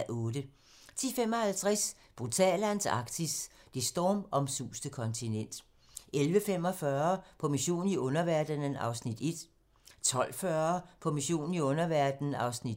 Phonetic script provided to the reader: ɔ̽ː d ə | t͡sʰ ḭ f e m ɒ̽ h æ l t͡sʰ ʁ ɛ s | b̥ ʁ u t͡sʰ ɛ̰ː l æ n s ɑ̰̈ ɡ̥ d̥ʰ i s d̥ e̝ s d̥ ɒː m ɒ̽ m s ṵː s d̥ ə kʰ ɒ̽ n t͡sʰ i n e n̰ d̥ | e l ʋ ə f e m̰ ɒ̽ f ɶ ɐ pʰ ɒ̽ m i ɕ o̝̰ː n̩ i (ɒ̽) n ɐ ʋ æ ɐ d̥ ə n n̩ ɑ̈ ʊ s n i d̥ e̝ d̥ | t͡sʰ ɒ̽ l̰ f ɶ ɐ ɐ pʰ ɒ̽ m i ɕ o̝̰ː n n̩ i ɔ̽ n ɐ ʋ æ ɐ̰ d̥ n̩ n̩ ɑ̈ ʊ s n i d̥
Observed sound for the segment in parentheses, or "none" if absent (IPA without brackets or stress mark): ɔ̽